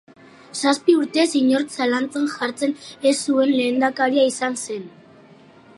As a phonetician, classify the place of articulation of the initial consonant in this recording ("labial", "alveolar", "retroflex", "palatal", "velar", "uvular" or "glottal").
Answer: alveolar